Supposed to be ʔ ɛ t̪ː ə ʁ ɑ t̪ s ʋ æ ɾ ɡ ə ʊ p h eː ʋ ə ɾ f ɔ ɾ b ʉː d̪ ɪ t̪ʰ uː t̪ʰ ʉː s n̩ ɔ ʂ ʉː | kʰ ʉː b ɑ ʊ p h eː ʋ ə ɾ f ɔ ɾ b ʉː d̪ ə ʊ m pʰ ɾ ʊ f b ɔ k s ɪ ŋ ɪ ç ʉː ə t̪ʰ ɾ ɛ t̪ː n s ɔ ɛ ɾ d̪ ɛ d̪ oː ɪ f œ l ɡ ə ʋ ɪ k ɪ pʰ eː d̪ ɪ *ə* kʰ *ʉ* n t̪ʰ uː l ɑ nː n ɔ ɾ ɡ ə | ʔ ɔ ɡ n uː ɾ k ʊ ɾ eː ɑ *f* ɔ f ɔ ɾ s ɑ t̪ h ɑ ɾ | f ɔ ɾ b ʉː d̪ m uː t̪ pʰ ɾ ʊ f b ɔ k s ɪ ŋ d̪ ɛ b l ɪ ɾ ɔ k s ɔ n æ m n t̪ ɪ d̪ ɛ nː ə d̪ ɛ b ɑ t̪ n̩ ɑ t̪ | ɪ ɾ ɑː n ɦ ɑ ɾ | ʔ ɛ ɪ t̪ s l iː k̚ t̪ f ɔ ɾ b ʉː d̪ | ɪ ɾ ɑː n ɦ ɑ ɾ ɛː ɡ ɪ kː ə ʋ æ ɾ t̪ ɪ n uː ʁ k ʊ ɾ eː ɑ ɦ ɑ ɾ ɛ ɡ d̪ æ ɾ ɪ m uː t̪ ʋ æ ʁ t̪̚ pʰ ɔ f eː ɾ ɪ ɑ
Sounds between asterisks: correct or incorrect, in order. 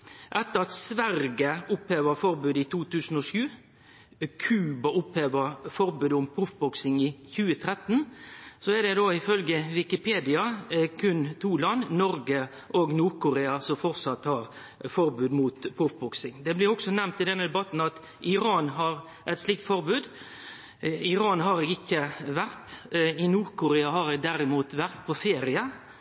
incorrect: ɑ, correct, incorrect: s

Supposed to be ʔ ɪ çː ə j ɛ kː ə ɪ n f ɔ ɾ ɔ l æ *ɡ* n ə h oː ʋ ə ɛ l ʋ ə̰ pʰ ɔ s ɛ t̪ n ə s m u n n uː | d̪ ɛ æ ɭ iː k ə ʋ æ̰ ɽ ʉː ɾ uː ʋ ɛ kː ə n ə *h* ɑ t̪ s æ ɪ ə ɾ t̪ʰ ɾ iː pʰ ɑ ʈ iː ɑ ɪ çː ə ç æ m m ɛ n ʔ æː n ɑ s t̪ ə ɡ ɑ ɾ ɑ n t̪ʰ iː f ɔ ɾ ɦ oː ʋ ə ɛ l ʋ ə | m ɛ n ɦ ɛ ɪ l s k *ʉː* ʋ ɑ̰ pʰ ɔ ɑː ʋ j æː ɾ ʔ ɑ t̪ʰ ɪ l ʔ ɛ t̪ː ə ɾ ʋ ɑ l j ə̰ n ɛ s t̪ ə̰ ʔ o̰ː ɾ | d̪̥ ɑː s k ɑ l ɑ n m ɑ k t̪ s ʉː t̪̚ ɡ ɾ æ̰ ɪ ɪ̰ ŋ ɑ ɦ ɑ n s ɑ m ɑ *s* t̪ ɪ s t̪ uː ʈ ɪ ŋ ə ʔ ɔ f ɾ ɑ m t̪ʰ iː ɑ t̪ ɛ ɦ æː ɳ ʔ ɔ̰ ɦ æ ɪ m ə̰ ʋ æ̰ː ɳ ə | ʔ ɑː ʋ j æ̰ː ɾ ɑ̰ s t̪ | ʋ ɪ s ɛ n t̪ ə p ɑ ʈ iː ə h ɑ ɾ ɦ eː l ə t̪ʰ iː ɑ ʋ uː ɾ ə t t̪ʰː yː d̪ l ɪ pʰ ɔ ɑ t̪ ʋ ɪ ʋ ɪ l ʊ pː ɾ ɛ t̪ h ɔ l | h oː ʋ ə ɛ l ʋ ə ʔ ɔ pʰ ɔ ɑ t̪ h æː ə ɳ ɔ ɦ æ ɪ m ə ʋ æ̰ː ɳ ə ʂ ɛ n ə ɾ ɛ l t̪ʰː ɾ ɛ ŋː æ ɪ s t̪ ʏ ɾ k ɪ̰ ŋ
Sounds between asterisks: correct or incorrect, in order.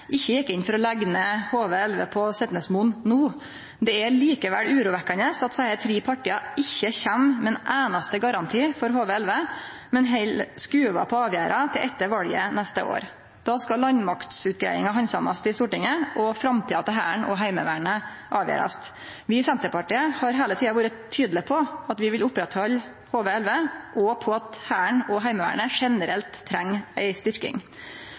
correct, incorrect: s, correct, correct

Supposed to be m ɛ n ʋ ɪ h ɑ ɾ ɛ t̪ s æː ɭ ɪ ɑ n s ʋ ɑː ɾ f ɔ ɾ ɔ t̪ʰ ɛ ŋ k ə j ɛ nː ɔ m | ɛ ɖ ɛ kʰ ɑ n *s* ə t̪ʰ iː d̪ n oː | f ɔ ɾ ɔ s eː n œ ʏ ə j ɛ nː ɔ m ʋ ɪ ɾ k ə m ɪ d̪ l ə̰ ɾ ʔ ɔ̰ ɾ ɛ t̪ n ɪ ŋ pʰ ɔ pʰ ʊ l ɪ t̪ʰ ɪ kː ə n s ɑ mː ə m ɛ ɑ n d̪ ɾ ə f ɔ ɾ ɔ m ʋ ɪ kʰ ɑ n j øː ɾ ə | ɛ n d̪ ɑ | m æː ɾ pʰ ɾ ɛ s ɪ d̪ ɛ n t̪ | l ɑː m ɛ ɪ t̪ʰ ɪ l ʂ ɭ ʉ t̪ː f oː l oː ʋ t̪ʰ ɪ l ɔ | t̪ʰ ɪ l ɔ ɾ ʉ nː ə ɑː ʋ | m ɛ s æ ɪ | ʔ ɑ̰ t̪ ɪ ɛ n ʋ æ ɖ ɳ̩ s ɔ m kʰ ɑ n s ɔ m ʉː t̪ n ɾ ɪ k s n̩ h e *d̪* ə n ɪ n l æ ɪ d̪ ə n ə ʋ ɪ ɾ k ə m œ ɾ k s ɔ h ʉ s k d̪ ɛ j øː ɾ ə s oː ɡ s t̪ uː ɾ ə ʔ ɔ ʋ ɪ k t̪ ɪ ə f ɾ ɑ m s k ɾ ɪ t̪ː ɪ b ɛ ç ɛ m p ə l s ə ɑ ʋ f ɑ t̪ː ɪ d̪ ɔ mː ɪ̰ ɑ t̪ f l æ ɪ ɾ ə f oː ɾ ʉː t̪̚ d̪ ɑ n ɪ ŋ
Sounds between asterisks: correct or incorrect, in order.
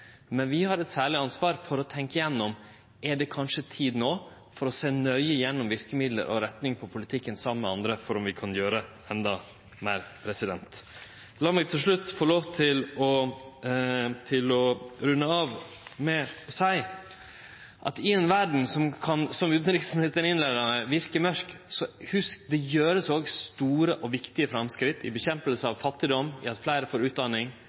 incorrect: ʂ, incorrect: t̪

